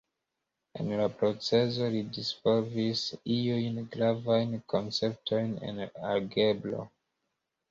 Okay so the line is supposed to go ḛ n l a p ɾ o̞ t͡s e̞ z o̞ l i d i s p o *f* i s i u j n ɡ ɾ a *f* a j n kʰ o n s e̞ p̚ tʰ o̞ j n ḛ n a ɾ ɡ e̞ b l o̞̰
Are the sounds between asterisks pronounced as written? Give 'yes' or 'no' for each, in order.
no, no

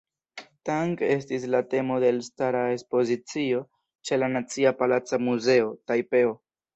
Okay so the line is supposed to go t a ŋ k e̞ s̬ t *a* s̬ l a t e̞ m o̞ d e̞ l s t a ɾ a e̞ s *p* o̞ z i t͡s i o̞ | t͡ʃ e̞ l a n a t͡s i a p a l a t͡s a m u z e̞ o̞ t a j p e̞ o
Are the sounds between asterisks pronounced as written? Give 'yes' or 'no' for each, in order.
no, yes

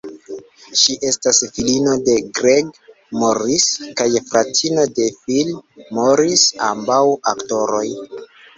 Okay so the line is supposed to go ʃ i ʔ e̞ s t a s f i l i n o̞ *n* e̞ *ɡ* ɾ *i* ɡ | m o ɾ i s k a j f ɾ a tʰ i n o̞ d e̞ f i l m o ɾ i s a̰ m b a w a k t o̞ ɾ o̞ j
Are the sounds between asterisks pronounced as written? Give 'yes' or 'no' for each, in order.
no, yes, no

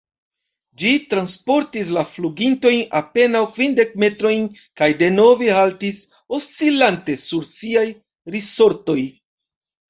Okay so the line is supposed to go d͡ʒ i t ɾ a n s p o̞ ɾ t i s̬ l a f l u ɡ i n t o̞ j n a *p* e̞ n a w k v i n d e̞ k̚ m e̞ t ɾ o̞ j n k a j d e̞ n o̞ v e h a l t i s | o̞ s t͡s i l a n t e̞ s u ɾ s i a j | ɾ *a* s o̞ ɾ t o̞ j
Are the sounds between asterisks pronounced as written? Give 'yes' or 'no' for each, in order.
yes, no

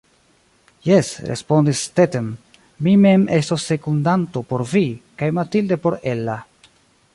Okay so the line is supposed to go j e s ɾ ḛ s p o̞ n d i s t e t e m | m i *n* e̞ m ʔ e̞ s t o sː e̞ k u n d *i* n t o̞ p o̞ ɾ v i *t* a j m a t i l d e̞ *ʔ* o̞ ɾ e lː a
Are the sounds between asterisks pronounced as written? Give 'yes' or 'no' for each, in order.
no, no, no, no

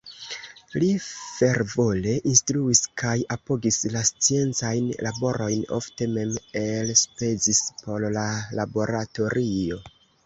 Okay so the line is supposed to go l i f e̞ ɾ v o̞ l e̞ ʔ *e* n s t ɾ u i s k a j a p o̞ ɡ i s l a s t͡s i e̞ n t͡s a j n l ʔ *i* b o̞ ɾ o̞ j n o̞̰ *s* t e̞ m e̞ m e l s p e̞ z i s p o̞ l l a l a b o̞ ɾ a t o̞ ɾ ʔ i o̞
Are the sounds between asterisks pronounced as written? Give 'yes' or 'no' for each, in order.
no, no, no

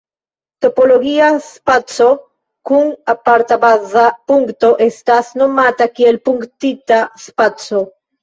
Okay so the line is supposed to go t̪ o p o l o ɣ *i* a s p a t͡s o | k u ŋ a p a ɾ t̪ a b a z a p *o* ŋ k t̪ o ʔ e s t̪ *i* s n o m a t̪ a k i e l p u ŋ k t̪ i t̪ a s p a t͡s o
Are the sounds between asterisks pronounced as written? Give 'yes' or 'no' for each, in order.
yes, no, no

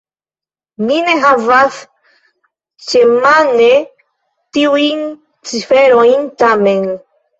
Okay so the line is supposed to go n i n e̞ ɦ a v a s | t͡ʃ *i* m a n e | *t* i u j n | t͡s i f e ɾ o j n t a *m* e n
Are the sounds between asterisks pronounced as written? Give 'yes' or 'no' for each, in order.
no, yes, yes

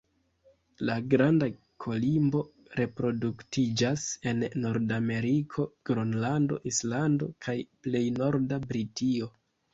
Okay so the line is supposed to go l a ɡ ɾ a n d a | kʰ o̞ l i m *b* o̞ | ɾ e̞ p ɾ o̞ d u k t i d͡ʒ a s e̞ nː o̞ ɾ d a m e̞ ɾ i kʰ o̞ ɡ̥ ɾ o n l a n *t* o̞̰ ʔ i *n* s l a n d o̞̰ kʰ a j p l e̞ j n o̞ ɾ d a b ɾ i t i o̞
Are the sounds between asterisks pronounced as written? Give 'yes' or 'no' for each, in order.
yes, no, no

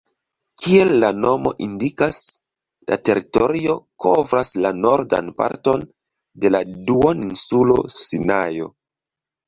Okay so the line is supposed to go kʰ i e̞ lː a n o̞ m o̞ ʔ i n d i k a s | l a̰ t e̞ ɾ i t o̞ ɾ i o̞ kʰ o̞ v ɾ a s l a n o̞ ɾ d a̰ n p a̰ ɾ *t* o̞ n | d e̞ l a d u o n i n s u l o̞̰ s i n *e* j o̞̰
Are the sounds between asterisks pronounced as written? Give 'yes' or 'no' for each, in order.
yes, no

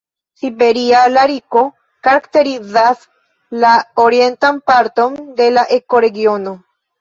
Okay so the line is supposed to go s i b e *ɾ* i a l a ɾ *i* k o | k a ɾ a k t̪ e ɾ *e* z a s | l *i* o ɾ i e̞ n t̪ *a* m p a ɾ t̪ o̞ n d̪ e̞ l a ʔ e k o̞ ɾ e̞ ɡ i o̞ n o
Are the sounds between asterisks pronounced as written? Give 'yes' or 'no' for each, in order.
yes, yes, no, no, yes

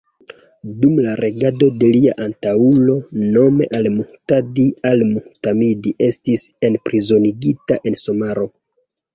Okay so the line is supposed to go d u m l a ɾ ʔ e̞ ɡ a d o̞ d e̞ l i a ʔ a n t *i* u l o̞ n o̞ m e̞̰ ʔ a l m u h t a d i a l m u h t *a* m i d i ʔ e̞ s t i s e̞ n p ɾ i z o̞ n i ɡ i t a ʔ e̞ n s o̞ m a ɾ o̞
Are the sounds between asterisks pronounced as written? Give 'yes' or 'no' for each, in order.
no, yes

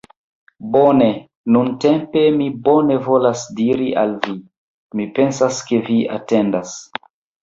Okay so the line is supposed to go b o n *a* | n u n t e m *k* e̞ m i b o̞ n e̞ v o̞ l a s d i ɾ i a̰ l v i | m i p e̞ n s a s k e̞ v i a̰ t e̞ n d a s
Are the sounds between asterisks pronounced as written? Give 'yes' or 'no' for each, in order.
no, no

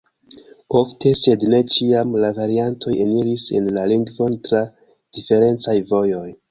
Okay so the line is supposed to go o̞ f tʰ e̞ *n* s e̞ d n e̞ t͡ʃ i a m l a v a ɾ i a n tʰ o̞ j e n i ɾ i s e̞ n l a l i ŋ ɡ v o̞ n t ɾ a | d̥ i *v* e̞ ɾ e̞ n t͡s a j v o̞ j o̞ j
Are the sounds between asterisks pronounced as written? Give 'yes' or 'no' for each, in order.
no, no

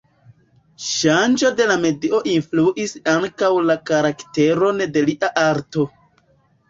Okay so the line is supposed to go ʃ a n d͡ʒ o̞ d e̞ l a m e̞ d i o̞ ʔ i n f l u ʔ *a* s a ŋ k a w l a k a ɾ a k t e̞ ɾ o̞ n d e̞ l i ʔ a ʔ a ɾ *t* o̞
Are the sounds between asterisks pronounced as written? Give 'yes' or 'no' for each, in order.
no, yes

